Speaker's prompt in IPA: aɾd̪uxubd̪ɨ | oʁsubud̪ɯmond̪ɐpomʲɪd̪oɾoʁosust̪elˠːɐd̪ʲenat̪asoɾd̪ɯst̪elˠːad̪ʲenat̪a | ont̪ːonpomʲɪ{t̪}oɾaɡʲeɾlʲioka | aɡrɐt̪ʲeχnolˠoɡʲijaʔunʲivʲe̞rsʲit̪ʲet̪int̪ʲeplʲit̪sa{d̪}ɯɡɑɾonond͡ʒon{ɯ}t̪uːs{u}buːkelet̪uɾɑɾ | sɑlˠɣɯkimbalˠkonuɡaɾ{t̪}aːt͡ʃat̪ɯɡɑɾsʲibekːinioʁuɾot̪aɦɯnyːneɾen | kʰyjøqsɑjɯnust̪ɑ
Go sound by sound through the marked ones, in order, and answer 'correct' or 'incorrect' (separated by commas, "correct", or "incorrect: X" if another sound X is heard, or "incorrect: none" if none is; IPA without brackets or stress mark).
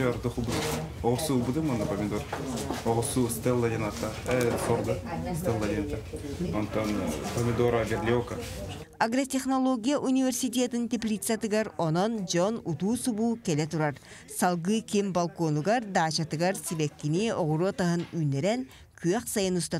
incorrect: d̪, incorrect: t̪, incorrect: u, correct, incorrect: d̪